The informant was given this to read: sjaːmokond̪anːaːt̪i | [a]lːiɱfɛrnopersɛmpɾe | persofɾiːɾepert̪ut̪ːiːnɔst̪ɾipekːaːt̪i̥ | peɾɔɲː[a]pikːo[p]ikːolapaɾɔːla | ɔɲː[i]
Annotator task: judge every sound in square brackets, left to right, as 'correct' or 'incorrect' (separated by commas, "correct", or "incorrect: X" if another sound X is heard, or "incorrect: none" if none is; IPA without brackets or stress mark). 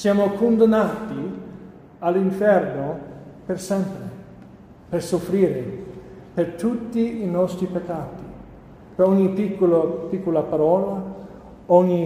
correct, incorrect: i, correct, correct